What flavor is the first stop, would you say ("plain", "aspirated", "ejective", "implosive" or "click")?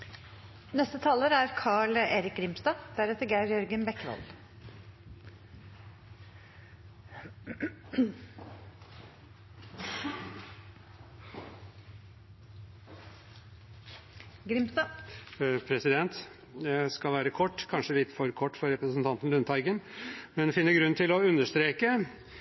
plain